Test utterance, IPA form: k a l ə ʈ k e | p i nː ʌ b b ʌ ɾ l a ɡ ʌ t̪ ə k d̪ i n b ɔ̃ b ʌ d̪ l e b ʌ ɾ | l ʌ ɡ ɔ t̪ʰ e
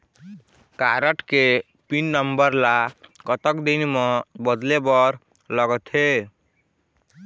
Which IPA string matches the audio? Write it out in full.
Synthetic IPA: k a ɾ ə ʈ k e | p i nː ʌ m b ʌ ɾ l a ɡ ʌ t̪ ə k d̪ i n m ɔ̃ b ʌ d̪ l e b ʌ ɾ | l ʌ ɡ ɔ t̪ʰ e